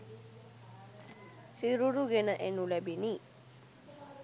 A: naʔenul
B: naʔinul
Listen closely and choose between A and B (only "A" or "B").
A